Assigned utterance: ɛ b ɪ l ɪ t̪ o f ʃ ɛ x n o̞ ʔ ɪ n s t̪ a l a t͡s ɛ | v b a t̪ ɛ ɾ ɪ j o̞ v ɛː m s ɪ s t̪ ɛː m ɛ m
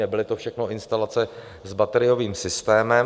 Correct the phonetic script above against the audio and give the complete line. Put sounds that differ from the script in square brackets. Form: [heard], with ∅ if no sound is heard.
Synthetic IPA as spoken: ɛ b ɪ l ɪ t̪ o f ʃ ɛ x n o̞ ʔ ɪ n s t̪ a l a t͡s ɛ | [z] b a t̪ ɛ ɾ ɪ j o̞ v [iː] m s ɪ s t̪ ɛː m ɛ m